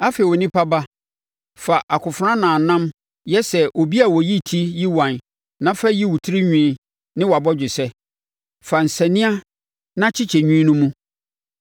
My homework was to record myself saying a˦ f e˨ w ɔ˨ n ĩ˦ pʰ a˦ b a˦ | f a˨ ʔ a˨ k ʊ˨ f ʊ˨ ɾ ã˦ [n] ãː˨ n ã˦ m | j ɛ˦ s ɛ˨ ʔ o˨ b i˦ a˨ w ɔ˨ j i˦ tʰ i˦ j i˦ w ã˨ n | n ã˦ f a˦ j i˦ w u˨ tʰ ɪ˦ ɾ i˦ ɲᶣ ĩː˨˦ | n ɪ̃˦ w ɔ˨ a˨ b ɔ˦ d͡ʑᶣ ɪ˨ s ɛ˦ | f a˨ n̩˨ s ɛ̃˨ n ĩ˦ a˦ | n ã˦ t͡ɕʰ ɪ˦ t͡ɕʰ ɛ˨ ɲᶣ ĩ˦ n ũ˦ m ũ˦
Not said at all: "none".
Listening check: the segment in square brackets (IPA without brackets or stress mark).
n